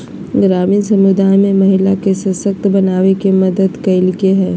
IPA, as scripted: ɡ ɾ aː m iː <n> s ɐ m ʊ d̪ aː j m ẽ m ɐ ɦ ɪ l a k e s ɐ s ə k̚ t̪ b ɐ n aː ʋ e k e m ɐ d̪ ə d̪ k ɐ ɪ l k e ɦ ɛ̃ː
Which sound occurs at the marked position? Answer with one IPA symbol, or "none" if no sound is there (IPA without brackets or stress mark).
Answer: n